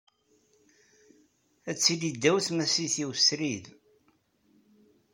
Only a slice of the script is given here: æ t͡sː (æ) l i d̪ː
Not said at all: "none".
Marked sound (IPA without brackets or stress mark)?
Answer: i